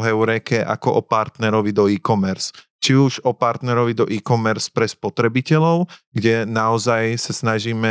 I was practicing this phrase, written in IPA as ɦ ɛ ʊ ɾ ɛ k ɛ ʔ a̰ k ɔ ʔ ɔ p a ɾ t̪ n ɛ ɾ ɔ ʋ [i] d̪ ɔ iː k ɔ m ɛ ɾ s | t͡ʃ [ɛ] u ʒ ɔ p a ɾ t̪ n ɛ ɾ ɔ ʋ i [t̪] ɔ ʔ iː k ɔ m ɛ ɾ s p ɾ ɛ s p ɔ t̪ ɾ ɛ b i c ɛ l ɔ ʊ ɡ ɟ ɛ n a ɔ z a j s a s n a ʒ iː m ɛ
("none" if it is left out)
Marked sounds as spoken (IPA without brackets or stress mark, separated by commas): i, i, d̪